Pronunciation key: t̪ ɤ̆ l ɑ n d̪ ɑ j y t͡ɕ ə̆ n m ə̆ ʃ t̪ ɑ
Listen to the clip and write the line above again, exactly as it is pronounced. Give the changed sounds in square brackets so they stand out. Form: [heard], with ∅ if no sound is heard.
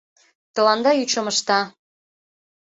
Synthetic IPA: t̪ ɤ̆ l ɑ n d̪ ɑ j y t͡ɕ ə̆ [∅] m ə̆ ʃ t̪ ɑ

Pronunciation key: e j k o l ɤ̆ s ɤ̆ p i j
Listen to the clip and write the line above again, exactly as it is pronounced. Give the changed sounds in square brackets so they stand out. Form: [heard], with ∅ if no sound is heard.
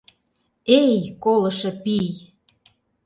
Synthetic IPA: e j k o l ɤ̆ [ʃ] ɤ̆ p i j

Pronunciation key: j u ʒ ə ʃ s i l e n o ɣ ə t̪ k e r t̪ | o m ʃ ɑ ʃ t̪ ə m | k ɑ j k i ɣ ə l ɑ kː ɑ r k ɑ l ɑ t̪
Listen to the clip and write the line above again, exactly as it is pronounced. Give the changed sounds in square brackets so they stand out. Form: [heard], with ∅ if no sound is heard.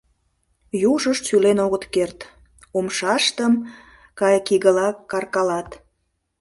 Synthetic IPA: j u ʒ ə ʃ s [y] l e n o ɣ ə t̪ k e r t̪ | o m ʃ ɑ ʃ t̪ ə m | k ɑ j k i ɣ ə l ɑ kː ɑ r k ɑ l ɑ t̪

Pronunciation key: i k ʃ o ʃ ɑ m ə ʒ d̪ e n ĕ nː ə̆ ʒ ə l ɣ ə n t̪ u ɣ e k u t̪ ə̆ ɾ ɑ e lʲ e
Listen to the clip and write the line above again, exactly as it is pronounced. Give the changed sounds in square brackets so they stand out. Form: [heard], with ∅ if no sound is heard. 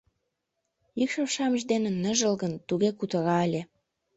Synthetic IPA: i k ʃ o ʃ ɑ m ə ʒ d̪ e n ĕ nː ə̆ ʒ ə l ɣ ə n t̪ u ɣ e k u t̪ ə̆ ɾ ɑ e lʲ e

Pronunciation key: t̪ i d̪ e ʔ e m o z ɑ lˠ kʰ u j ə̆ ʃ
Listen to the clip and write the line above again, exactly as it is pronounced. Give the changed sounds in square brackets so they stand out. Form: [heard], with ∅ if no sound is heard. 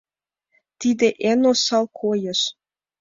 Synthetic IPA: t̪ i d̪ e ʔ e [n] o [s] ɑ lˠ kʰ [o] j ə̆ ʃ

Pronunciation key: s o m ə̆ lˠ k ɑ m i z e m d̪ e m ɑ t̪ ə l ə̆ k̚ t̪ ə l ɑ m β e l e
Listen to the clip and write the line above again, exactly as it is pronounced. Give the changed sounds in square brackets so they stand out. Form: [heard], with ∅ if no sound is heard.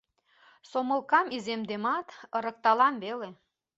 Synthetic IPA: s o m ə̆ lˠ k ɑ m i z e m d̪ e m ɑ t̪ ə [ɾ] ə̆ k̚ t̪ [ɑ] l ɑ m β e l e

